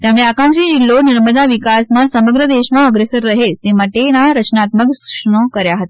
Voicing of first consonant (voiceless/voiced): voiceless